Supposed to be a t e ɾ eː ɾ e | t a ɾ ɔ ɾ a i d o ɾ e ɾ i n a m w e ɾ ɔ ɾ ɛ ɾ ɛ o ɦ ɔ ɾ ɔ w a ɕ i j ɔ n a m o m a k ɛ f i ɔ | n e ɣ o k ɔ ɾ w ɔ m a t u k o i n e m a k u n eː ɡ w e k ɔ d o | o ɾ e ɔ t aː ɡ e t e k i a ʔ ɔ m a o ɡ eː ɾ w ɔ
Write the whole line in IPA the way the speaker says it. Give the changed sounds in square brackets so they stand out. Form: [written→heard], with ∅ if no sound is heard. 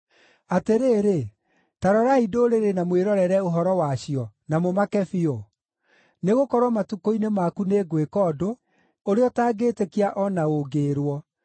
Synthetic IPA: a t e ɾ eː ɾ e | t a ɾ ɔ ɾ a i d o ɾ e ɾ [i→e] n a m w e ɾ ɔ ɾ ɛ ɾ ɛ o ɦ ɔ ɾ ɔ w a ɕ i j ɔ n a m o m a k ɛ f i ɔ | n e ɣ o k ɔ ɾ w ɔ m a t u k o i n e m a k u n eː ɡ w e k ɔ d o | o ɾ e ɔ t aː ɡ e t e k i a ʔ ɔ [m→n] a o ɡ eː ɾ w ɔ